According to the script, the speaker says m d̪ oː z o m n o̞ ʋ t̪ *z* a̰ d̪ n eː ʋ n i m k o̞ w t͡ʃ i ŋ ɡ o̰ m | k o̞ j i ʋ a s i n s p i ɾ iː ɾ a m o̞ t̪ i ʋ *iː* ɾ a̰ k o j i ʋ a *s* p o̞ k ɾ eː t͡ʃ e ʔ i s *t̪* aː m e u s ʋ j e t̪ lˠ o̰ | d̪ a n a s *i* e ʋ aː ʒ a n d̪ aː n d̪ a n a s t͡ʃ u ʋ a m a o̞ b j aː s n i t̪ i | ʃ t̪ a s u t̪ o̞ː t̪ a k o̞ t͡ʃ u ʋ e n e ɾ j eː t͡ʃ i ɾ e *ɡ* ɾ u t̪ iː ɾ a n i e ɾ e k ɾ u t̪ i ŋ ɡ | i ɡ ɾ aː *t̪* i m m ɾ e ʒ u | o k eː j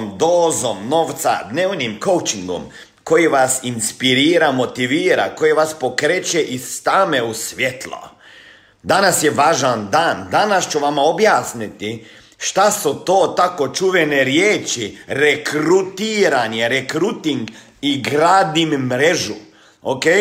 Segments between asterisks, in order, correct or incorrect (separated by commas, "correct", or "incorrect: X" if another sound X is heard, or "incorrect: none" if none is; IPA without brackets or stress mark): incorrect: s, correct, correct, correct, incorrect: j, incorrect: k, incorrect: d̪